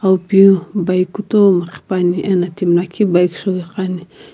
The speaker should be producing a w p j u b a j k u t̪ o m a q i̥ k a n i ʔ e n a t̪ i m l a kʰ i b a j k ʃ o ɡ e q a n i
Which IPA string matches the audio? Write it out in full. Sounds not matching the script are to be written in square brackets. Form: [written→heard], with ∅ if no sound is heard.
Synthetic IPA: a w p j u b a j k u t̪ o m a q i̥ [k→p] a n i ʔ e n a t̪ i m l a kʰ i b a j k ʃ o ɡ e q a n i